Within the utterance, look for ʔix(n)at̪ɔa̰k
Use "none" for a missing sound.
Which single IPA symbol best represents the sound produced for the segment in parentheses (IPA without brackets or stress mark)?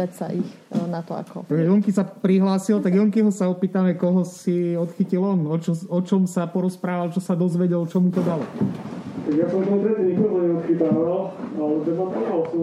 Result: n